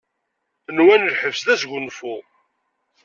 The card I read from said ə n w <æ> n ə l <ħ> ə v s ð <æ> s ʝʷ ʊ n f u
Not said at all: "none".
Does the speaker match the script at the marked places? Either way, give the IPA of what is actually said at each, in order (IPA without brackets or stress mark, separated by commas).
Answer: æ, ħ, æ